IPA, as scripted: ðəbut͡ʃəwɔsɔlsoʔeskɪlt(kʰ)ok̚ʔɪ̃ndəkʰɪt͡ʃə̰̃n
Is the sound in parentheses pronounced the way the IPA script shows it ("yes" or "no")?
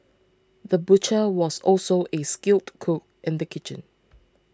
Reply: yes